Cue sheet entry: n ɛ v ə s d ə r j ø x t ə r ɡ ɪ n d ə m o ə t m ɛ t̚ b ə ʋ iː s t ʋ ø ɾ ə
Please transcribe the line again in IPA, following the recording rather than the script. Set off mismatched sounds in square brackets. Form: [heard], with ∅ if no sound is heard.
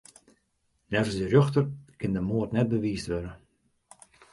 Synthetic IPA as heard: n ɛ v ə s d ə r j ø x t ə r [k] ɪ n d ə m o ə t [n] ɛ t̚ b ə ʋ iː s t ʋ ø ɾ ə